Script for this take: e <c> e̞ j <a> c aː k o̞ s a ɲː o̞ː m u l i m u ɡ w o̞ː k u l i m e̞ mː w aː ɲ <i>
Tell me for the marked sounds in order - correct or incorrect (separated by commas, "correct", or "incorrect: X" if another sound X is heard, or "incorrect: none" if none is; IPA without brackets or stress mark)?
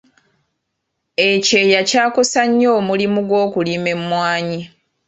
correct, correct, correct